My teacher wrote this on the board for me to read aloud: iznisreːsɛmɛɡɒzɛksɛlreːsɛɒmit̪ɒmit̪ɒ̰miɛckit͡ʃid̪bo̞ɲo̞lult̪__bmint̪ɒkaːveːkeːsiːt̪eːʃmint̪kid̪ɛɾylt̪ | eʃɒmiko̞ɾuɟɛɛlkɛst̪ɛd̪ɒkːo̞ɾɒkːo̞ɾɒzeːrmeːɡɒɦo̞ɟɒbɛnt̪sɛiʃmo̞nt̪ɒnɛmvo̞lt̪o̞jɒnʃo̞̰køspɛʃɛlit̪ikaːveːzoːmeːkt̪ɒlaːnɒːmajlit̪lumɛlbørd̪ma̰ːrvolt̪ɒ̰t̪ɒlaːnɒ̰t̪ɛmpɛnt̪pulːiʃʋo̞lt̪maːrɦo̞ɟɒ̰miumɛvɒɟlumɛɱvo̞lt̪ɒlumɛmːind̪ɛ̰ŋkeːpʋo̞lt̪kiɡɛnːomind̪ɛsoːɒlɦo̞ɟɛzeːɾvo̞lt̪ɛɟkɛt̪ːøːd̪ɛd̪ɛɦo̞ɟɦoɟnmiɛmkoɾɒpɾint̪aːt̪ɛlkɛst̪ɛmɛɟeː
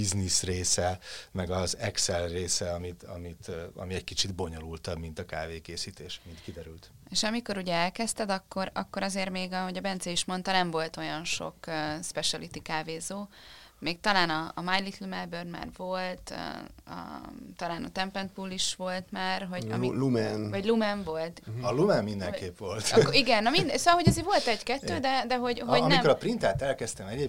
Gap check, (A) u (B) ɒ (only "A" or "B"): B